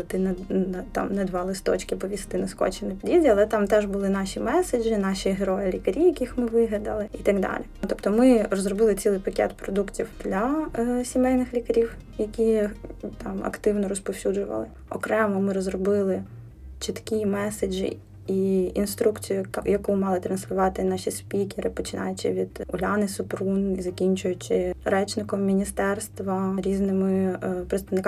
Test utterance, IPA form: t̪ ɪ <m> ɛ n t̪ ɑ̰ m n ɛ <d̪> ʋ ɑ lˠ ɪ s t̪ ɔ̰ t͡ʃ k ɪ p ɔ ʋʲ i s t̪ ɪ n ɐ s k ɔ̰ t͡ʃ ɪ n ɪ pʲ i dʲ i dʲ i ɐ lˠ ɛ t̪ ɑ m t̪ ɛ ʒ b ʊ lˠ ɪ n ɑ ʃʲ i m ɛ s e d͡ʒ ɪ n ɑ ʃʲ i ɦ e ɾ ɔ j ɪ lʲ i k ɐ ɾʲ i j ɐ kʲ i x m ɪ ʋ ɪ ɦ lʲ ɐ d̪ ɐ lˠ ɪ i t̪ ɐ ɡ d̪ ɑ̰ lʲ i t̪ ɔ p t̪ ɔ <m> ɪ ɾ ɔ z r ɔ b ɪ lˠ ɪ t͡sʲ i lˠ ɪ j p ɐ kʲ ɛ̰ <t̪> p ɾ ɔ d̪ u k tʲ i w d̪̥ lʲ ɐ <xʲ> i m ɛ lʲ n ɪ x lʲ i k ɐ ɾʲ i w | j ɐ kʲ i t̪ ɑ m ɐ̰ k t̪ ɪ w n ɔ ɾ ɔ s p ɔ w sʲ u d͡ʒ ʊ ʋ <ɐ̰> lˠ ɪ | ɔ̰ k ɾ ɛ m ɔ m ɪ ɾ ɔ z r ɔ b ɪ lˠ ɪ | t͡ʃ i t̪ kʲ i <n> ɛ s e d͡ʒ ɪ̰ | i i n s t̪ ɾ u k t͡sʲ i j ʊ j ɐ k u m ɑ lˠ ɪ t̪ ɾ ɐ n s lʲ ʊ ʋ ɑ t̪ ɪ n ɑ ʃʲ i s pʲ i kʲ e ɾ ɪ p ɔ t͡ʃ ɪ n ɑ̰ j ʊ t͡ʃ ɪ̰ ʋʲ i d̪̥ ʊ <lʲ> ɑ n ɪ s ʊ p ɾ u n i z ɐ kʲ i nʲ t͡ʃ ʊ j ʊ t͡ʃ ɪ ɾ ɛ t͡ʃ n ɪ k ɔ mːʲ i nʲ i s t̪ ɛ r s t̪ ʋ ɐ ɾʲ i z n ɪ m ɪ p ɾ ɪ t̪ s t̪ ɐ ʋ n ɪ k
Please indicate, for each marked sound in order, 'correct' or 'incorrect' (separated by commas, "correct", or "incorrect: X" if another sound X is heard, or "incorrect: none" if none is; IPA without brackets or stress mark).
incorrect: n, correct, correct, correct, incorrect: sʲ, correct, incorrect: m, correct